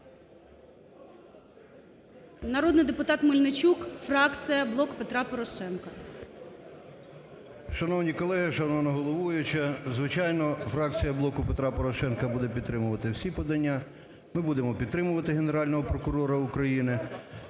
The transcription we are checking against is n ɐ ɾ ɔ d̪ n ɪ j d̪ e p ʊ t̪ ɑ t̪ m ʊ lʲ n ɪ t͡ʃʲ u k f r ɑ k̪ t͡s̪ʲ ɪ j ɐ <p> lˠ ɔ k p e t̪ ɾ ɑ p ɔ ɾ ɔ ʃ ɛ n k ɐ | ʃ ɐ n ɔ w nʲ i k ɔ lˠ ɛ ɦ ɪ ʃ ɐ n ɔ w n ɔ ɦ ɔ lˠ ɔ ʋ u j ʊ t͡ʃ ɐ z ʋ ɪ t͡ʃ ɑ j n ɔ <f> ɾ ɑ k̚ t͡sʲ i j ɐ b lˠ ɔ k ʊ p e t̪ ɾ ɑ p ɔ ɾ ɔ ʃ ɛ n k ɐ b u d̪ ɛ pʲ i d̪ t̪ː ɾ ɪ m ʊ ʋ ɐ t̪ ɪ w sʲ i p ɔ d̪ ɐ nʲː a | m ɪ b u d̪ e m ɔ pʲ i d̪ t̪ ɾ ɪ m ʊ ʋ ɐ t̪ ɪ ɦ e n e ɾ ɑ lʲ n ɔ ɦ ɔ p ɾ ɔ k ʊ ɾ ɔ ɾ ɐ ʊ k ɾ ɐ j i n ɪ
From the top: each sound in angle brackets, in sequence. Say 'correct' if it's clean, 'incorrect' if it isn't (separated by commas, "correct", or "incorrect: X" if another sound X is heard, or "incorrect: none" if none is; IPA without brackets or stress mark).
incorrect: b, correct